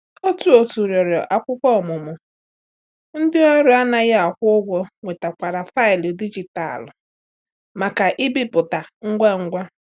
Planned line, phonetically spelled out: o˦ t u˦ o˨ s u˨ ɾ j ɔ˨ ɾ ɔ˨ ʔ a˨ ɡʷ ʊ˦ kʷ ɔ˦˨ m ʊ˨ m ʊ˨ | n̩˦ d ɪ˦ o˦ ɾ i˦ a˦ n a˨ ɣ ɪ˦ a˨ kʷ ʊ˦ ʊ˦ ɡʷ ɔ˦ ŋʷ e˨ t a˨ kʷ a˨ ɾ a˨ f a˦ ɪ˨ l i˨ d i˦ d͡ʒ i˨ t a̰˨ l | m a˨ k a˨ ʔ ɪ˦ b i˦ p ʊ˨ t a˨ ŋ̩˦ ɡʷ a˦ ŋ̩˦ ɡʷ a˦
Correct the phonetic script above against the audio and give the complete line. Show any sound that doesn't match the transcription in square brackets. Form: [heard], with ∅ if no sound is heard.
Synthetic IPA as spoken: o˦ t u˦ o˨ [t] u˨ ɾ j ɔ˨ ɾ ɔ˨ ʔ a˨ [kʷ] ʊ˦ kʷ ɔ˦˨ m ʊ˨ m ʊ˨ | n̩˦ d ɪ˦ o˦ ɾ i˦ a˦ n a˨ ɣ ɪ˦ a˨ kʷ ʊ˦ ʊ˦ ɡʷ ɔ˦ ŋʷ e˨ t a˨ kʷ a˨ ɾ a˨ f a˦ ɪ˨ l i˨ d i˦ d͡ʒ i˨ t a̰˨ l | m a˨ k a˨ ʔ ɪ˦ b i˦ p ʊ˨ t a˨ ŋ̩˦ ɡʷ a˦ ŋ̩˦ ɡʷ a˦